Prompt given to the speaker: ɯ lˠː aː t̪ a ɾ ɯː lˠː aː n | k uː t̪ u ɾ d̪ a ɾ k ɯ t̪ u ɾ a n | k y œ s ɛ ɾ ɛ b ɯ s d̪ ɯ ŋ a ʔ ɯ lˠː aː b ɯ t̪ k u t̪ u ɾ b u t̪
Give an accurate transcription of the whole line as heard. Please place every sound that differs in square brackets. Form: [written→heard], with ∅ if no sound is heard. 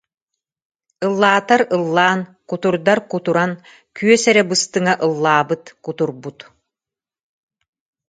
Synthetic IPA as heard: ɯ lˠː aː t̪ a ɾ [ɯː→ɯ] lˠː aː n | k [uː→u] t̪ u ɾ d̪ a ɾ k [ɯ→u] t̪ u ɾ a n | k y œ s ɛ ɾ ɛ b ɯ s [d̪→t̪] ɯ ŋ a ʔ ɯ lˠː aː b ɯ t̪ k u t̪ u ɾ b u t̪